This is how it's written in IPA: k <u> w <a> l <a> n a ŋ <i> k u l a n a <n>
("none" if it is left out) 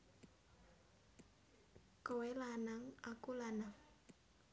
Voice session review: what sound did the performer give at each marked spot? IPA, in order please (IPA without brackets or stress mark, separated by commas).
o, e, a, a, ŋ